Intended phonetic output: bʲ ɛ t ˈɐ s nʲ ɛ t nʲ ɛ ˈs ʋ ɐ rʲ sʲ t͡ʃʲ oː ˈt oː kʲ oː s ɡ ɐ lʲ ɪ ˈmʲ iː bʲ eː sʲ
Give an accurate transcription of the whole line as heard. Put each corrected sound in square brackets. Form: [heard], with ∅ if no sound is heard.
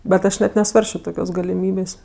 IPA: bʲ ɛ t ˈɐ [ʃ] nʲ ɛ t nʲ ɛ ˈs ʋ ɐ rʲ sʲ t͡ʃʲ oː ˈt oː kʲ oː s ɡ ɐ lʲ ɪ ˈmʲ iː bʲ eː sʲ

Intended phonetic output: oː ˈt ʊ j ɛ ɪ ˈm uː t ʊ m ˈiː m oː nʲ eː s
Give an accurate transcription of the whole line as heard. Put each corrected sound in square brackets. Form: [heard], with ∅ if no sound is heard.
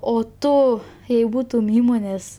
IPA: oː ˈt ʊ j ɛ ɪ [ˈb] uː t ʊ m ˈiː m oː nʲ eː s

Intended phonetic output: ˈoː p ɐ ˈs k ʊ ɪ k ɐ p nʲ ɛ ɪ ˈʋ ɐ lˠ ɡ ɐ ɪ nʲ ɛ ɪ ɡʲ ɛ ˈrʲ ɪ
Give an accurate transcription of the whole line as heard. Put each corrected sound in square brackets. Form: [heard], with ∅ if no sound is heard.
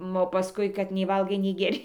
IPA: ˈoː p ɐ ˈs k ʊ ɪ k ɐ [t] nʲ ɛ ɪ ˈʋ ɐ lˠ ɡ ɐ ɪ nʲ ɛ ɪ ɡʲ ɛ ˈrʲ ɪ

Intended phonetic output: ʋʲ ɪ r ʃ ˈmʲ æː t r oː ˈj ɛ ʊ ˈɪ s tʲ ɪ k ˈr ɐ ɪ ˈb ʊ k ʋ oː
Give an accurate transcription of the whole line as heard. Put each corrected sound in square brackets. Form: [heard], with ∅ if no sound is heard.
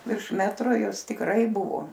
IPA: ʋʲ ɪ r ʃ ˈmʲ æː t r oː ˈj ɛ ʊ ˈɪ s tʲ ɪ k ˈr ɐ ɪ ˈb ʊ [∅] ʋ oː

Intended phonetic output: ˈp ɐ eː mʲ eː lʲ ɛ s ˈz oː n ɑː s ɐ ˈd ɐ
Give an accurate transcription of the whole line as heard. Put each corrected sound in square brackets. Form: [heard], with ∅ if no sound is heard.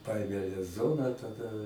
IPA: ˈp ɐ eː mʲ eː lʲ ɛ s ˈz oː n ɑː [t] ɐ ˈd ɐ

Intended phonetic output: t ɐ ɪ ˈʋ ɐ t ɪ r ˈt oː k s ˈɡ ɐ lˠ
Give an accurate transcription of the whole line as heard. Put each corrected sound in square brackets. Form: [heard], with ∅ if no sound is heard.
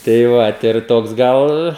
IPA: t ɐ ɪ ˈʋ ɐ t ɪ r ˈt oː k s ˈɡ ɐ lˠ

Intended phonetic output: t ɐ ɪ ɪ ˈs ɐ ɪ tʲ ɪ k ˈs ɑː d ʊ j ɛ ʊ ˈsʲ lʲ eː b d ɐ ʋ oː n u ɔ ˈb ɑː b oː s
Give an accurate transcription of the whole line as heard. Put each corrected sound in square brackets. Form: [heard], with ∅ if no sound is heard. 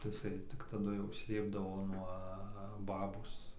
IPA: t ɐ ɪ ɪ ˈs ɐ ɪ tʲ ɪ k [ˈt] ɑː d ʊ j ɛ ʊ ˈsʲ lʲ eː b d ɐ ʋ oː n u ɔ ˈb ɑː b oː s

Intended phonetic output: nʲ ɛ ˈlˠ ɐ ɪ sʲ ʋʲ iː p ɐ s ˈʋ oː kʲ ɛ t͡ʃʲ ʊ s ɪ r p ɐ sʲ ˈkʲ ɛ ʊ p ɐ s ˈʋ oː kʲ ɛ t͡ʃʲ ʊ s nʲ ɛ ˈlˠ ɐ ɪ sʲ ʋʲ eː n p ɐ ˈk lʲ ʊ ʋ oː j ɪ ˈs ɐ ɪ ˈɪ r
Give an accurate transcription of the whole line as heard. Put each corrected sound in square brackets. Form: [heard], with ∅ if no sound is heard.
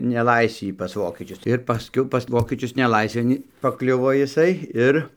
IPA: nʲ ɛ ˈlˠ ɐ ɪ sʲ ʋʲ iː p ɐ s ˈʋ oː kʲ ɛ t͡ʃʲ ʊ s ɪ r p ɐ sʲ ˈkʲ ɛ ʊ p ɐ s ˈʋ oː kʲ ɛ t͡ʃʲ ʊ s nʲ ɛ ˈlˠ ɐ ɪ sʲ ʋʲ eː n p ɐ ˈk lʲ ʊ ʋ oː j ɪ ˈs ɐ ɪ ˈɪ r

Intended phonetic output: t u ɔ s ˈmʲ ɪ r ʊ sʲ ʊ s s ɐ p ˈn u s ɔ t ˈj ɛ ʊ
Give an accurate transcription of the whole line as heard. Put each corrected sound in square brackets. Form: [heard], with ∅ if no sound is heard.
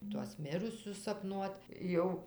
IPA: t u ɔ s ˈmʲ ɪ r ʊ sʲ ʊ s s ɐ p ˈn u [∅] ɔ t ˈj ɛ ʊ

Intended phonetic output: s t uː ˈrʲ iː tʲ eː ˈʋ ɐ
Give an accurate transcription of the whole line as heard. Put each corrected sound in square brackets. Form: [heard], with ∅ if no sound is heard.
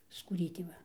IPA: s [k] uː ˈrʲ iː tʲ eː ˈʋ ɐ

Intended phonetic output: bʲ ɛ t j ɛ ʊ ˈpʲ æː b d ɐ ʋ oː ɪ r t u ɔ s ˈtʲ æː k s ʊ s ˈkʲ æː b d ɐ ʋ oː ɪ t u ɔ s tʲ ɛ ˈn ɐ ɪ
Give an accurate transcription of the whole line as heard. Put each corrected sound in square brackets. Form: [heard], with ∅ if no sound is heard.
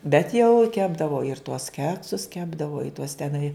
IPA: bʲ ɛ t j ɛ ʊ [ˈkʲ] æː b d ɐ ʋ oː ɪ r t u ɔ s [ˈkʲ] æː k s ʊ s ˈkʲ æː b d ɐ ʋ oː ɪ t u ɔ s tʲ ɛ ˈn ɐ ɪ

